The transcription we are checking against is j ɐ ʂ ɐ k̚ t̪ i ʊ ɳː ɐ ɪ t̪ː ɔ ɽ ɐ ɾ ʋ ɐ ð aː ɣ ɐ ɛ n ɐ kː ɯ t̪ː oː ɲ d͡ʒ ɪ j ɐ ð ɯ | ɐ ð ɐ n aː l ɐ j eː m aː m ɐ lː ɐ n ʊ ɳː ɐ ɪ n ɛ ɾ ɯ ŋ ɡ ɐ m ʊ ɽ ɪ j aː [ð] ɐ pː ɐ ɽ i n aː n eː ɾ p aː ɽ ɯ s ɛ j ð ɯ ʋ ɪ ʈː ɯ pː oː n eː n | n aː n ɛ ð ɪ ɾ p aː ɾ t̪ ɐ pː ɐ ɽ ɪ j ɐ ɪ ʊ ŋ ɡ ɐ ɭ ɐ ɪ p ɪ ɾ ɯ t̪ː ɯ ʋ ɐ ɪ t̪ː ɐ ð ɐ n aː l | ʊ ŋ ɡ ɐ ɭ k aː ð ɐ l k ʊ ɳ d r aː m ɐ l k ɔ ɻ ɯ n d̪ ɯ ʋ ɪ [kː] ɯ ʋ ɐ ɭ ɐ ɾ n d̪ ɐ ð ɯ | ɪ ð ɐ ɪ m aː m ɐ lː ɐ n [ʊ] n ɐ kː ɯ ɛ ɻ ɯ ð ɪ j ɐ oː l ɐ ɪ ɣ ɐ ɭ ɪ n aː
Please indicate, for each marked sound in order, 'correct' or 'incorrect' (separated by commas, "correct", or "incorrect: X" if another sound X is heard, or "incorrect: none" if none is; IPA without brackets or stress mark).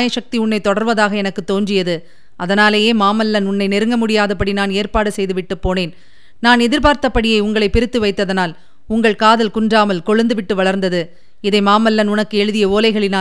correct, incorrect: ʈː, correct